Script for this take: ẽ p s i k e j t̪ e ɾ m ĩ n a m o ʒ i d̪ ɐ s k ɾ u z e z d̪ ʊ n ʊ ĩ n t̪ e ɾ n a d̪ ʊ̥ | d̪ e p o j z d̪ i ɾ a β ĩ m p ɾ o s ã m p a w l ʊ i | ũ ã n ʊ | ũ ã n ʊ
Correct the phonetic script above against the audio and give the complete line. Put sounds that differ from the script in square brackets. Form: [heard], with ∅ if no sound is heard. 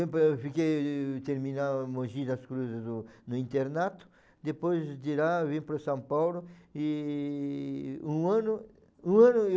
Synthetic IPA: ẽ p [f] i k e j t̪ e ɾ m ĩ n a m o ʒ i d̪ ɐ s k ɾ u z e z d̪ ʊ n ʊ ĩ n t̪ e ɾ n a [t̪] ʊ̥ | d̪ e p o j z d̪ i ɾ a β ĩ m p ɾ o s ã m p a w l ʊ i | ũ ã n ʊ | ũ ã n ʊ